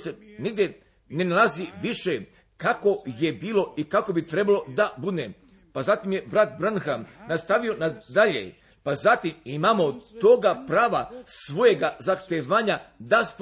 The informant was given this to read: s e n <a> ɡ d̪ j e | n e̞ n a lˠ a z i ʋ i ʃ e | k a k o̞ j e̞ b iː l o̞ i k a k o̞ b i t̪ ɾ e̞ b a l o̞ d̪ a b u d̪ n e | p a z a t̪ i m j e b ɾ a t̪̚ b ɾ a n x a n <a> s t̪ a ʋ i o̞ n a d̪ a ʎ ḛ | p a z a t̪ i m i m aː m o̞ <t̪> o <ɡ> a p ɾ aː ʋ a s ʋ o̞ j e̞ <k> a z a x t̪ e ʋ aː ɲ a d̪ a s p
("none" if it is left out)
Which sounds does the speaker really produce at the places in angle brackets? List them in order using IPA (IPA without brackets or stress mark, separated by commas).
i, a, t̪, ɡ, ɡ